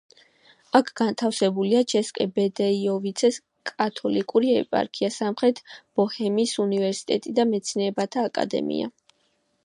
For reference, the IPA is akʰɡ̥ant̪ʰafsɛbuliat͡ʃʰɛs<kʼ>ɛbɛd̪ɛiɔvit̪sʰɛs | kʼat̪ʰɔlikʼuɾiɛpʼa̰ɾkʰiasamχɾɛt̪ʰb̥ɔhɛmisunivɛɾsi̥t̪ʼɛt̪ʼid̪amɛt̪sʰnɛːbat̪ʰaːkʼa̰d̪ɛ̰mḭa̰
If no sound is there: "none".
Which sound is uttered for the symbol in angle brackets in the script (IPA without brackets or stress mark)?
kʼ